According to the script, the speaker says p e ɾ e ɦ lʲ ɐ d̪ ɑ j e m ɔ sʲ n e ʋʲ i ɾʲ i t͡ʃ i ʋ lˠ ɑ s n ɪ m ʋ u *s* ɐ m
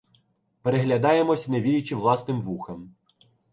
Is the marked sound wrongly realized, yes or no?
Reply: yes